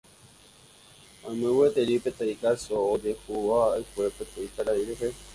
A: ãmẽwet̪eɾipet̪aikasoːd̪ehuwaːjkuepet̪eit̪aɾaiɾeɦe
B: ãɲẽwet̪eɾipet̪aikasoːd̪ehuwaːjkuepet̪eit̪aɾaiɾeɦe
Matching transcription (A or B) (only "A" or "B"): A